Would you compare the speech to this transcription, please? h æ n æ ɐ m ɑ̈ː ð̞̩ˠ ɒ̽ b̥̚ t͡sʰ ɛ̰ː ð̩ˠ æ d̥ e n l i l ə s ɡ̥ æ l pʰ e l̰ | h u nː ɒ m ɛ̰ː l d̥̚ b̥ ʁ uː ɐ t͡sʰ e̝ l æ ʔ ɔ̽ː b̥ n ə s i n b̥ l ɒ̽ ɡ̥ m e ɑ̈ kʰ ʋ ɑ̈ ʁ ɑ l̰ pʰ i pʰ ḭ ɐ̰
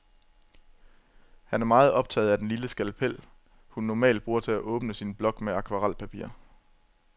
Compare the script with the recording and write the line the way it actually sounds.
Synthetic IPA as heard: h æ n æ ɐ m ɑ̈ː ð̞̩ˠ ɒ̽ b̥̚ t͡sʰ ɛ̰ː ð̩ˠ æ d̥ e n l i l ə s ɡ̥ æ l pʰ e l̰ | h u nː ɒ m ɛ̰ː l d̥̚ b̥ ʁ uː ɐ t͡sʰ e̝ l æ ʔ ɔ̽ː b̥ n ə s i n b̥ l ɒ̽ ɡ̥ m e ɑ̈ kʰ ʋ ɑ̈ ʁ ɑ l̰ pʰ æ pʰ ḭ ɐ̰